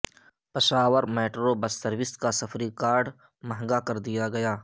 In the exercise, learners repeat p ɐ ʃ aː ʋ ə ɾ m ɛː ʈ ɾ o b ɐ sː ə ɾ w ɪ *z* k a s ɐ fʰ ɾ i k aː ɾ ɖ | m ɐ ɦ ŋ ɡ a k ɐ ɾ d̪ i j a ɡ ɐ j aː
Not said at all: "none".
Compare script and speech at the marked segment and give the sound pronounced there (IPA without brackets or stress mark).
s